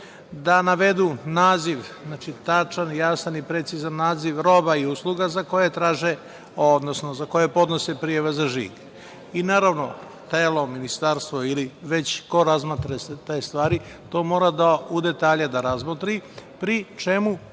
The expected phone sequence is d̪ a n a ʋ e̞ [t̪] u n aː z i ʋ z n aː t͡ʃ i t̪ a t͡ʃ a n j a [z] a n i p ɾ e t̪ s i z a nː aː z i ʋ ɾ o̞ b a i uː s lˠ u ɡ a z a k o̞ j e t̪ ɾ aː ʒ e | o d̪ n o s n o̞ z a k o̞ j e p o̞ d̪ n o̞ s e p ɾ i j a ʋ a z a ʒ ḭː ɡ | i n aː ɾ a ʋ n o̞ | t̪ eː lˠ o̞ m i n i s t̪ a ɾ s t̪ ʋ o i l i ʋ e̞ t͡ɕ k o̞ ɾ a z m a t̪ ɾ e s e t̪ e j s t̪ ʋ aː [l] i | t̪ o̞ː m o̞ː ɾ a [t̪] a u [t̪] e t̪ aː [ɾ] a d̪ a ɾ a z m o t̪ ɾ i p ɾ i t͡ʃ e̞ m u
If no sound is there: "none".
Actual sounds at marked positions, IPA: d̪, s, ɾ, d̪, d̪, ʎ

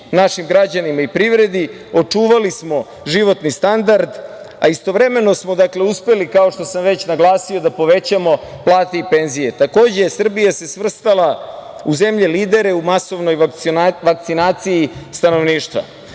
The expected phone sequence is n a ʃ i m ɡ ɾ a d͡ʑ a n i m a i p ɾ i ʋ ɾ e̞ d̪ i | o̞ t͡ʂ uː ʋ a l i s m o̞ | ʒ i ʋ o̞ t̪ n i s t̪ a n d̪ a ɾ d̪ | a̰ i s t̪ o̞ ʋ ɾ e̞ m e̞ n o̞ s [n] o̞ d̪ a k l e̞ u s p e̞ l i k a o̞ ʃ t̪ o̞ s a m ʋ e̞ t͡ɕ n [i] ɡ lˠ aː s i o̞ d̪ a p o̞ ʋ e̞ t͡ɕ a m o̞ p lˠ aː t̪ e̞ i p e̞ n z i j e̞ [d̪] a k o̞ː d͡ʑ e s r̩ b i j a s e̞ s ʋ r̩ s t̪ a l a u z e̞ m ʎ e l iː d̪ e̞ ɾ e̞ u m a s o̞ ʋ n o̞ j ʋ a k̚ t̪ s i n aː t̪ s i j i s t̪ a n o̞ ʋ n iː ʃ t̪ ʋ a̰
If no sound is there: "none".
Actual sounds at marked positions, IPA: m, a, t̪

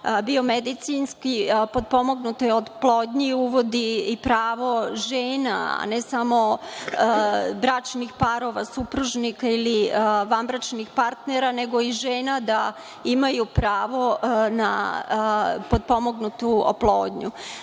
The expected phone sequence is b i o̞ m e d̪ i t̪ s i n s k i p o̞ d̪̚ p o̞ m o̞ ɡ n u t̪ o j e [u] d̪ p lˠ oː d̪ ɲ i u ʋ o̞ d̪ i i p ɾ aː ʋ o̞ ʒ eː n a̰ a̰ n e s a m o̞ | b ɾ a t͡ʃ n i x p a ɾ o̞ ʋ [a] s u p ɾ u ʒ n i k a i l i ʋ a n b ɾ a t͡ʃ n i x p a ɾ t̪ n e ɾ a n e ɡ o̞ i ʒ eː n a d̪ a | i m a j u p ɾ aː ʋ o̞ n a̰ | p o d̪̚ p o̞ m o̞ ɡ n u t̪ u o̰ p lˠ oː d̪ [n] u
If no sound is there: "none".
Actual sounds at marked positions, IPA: o, a, ɲ

